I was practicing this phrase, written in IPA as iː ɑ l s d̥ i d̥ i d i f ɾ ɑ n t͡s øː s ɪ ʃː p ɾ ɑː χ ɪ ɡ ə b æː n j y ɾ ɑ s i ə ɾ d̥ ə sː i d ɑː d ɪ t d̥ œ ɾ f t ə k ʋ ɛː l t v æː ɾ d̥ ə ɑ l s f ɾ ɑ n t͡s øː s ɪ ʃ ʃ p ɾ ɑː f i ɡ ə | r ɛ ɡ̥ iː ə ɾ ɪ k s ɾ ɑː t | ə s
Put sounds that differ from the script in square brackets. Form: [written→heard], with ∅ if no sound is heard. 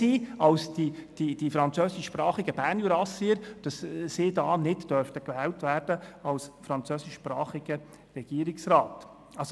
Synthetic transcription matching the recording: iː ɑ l s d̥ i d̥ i d i f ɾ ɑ n t͡s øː s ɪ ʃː p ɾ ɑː χ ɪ ɡ ə b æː n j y ɾ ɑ s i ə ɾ d̥ [ə→ɑ] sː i d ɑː [d→n] ɪ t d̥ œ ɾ f t ə k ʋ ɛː l t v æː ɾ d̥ ə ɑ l s f ɾ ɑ n t͡s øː s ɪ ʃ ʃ p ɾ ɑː [f→χ] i ɡ ə | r ɛ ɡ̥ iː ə ɾ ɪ k s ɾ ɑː t | [ə→ɑ] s